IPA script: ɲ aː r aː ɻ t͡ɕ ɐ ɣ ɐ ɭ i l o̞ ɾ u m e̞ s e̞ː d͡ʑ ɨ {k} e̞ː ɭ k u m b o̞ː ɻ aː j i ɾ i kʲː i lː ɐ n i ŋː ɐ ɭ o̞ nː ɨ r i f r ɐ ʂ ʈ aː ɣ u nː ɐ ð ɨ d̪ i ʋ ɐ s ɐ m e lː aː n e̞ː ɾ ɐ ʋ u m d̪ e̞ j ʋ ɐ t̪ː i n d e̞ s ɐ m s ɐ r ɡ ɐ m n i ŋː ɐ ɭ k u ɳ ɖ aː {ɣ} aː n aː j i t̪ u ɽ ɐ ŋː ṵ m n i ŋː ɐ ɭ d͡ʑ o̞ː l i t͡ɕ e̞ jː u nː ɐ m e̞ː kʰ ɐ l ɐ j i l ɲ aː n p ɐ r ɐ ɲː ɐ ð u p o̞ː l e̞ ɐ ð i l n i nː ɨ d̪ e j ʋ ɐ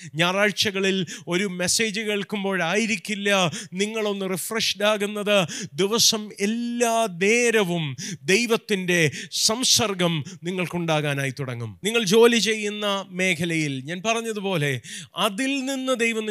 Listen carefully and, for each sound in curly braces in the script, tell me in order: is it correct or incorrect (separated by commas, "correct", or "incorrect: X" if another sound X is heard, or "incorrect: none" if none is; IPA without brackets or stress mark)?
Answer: correct, correct